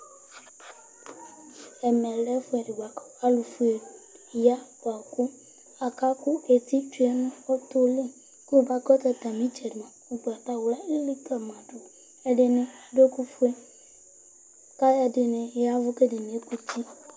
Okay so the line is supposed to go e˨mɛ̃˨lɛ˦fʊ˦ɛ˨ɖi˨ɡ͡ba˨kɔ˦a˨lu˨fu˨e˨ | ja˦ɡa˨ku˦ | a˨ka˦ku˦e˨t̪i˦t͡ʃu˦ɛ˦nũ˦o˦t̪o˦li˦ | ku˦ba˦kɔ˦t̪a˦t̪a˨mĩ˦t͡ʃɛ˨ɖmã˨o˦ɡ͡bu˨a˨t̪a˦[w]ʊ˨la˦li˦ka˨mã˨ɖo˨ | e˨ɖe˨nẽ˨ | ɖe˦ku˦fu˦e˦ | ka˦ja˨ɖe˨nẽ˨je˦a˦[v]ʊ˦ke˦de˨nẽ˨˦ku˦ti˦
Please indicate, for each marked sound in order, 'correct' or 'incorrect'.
correct, correct

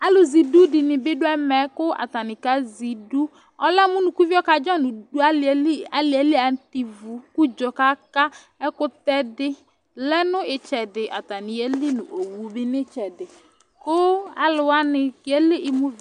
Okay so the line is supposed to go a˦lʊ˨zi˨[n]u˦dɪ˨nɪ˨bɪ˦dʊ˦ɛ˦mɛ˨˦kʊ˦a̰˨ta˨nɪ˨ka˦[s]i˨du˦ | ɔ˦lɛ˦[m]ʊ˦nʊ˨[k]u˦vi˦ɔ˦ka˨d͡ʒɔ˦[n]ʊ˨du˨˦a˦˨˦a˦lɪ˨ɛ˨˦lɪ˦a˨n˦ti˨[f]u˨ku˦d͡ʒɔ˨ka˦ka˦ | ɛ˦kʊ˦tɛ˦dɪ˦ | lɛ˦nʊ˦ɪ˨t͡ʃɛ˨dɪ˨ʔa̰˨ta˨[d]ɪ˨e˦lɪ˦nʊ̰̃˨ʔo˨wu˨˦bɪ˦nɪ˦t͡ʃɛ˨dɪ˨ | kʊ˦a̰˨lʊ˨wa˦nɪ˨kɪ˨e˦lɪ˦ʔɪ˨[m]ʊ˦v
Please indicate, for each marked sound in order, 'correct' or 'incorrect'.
incorrect, incorrect, correct, correct, correct, incorrect, incorrect, correct

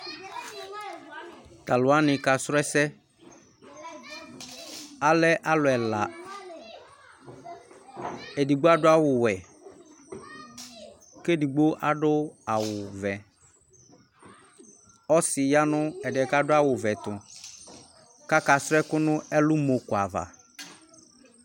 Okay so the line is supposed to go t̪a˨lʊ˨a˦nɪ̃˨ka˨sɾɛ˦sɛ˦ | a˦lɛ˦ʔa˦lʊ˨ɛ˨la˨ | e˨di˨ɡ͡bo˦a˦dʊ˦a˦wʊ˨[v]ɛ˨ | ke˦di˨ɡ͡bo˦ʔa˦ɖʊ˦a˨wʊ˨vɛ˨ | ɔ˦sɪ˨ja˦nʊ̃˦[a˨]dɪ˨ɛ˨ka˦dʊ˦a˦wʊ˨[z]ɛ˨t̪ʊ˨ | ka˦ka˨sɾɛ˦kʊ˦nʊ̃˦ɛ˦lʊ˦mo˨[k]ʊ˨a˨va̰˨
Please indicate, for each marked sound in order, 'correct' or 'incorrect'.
incorrect, incorrect, incorrect, correct

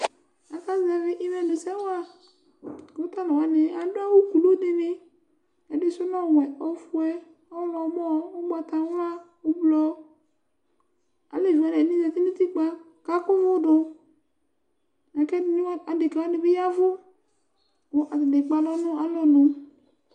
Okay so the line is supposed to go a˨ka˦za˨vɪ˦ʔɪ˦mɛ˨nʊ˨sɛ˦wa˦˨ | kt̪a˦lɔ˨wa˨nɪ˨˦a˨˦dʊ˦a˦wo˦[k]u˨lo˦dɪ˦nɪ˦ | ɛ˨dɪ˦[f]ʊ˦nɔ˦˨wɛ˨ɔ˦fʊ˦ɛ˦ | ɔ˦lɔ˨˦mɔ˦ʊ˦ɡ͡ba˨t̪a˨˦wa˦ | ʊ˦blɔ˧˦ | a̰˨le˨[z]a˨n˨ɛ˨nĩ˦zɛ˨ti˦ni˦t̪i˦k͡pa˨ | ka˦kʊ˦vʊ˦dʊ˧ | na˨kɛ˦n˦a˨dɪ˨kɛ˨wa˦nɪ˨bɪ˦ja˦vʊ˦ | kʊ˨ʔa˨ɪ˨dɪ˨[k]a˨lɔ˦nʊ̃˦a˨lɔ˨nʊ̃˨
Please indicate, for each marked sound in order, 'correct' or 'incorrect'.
correct, incorrect, incorrect, incorrect

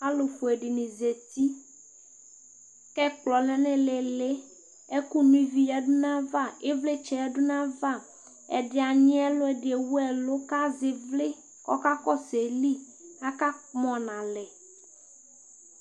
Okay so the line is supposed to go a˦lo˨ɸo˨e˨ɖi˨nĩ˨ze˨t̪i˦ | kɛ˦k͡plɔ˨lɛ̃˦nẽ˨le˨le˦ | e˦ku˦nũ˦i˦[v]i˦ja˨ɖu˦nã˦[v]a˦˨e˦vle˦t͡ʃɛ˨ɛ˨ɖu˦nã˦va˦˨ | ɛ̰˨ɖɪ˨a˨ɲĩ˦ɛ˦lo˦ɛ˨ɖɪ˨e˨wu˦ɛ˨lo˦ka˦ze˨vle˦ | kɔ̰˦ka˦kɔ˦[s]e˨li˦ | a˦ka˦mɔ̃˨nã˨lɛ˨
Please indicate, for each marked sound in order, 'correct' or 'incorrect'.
correct, correct, correct

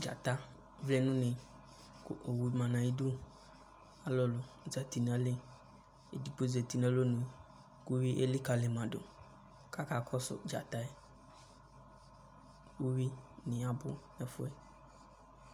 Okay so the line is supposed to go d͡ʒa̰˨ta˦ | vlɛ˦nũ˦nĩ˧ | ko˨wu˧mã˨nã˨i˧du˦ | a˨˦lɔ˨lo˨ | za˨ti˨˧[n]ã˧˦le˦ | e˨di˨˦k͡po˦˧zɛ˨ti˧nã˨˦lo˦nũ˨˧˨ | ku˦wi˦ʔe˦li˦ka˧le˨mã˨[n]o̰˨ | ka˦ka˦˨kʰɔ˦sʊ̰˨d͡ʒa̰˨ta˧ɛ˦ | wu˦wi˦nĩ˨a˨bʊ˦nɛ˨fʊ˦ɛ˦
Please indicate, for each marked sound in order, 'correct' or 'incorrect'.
correct, incorrect

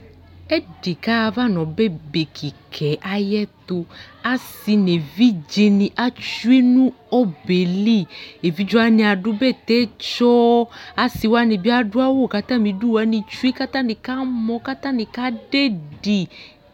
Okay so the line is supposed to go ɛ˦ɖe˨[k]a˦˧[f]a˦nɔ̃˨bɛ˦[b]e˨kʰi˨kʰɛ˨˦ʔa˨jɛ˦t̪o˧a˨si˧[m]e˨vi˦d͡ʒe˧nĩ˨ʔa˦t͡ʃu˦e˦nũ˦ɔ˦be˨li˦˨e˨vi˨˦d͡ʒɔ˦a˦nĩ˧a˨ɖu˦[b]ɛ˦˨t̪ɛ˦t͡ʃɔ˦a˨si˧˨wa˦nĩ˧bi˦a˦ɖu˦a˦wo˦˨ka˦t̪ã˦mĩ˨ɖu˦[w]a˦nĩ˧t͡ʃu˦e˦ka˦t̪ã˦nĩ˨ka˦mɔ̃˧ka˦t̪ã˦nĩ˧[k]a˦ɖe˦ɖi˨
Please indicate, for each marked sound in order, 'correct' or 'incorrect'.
correct, incorrect, correct, incorrect, correct, correct, correct

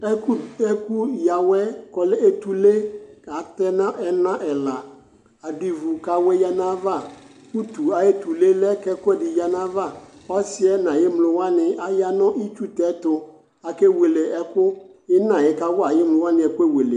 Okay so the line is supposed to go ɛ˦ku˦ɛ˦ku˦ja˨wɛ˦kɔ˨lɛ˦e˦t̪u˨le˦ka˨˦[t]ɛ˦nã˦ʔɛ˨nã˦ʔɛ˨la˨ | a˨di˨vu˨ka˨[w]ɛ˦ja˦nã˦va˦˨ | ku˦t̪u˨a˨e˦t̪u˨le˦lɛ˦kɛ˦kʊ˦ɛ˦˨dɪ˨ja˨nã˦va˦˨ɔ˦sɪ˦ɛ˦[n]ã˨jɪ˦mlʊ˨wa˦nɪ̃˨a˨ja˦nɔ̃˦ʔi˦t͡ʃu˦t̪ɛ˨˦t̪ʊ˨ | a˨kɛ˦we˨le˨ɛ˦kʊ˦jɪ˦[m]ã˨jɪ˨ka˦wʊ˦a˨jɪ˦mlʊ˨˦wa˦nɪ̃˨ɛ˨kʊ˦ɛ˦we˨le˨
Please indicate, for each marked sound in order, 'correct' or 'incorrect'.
correct, correct, correct, incorrect

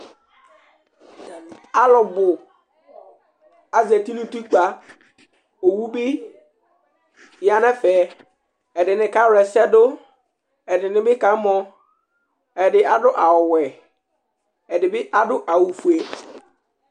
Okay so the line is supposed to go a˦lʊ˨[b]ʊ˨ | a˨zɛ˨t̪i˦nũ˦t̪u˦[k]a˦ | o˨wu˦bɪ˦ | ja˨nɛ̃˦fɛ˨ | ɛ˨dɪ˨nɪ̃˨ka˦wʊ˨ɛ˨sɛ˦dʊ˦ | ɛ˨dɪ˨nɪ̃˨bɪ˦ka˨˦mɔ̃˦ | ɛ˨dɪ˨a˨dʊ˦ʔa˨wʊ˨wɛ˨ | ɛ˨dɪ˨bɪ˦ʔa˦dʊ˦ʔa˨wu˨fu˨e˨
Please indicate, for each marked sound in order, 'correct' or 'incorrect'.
correct, incorrect

